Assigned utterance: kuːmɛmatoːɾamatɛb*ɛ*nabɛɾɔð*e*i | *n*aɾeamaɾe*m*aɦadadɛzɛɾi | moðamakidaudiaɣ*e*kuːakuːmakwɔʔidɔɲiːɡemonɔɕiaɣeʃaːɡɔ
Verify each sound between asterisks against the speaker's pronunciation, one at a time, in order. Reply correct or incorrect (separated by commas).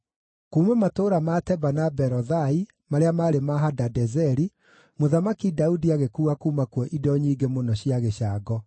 incorrect, incorrect, incorrect, correct, correct